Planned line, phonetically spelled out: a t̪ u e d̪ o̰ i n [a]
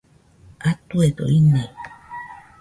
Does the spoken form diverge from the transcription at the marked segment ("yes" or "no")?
yes